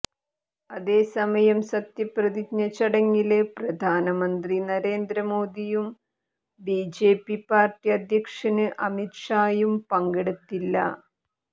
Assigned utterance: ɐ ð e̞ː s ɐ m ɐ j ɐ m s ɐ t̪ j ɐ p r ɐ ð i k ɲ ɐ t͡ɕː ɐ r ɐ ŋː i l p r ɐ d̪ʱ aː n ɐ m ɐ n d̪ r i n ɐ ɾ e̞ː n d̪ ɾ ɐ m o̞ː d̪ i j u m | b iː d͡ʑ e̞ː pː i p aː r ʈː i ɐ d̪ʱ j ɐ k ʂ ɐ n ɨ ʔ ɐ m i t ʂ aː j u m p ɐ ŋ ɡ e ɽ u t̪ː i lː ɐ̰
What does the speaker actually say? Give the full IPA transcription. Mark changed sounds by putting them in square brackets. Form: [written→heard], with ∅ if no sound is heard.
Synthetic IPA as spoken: ɐ ð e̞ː s ɐ m ɐ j ɐ m s ɐ t̪ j ɐ p r ɐ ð i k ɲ ɐ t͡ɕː ɐ [r→ɽ] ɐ ŋː i l p r ɐ d̪ʱ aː n ɐ m ɐ n d̪ r i n ɐ ɾ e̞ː n d̪ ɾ ɐ m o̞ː d̪ i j u m | b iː d͡ʑ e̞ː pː i p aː r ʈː i ɐ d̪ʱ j ɐ k ʂ ɐ n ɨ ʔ ɐ m i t ʂ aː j u m p ɐ ŋ ɡ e ɽ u t̪ː i lː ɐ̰